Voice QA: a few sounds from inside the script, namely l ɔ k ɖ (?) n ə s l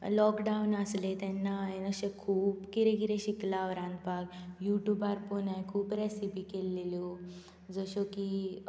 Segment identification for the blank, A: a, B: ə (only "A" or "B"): A